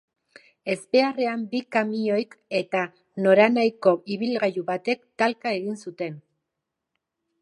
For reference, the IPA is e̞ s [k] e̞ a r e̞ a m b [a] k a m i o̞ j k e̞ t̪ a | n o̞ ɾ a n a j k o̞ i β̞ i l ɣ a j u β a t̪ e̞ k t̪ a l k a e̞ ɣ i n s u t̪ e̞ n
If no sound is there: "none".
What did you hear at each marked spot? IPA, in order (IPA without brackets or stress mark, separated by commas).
p, i